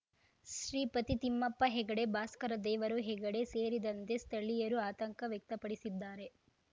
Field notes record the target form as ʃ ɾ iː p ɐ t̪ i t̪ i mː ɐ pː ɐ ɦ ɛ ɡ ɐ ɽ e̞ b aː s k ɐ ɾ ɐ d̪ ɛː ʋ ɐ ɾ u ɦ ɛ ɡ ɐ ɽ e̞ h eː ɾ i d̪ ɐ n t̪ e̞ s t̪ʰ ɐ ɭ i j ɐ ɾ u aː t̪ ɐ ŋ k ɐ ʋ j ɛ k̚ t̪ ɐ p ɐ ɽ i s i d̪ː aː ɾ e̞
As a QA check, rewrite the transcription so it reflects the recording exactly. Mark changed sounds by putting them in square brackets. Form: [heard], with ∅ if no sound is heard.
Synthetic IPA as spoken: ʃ ɾ iː p ɐ t̪ i t̪ i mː ɐ pː ɐ ɦ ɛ ɡ ɐ ɽ e̞ b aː s k ɐ ɾ ɐ d̪ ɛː ʋ ɐ ɾ u ɦ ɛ ɡ ɐ ɽ e̞ [s] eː ɾ i d̪ ɐ n t̪ e̞ s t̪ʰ ɐ ɭ i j ɐ ɾ u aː t̪ ɐ ŋ k ɐ ʋ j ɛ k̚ t̪ ɐ p ɐ ɽ i s i d̪ː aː ɾ e̞